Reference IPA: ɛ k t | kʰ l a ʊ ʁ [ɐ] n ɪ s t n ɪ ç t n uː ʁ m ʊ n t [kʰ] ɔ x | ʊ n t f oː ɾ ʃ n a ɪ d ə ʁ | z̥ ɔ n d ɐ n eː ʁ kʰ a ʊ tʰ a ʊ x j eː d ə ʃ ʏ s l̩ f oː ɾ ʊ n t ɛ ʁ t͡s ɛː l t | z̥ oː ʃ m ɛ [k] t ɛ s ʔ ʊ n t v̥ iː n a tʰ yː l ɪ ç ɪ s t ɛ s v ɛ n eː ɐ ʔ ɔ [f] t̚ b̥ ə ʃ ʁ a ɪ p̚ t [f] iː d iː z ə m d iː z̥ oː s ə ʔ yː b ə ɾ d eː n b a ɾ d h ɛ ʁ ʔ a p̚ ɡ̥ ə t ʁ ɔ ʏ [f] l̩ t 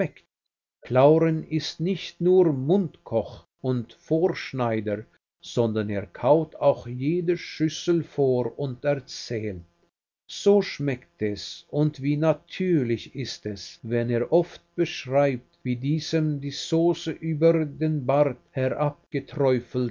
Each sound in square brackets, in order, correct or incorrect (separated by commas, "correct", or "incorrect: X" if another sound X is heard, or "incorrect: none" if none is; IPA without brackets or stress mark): incorrect: ə, correct, correct, correct, incorrect: v, correct